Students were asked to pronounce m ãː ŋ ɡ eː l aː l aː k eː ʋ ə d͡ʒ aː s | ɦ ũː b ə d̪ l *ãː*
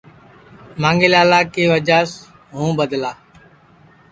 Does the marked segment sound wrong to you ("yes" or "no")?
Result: yes